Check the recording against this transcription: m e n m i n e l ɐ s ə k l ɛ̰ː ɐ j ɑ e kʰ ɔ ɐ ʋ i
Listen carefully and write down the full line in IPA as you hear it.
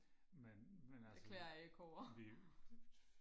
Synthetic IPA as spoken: m e n m e n æ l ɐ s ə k l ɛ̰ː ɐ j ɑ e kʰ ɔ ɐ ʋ i